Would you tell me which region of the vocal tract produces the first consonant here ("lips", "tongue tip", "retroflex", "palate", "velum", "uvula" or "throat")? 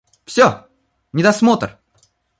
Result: lips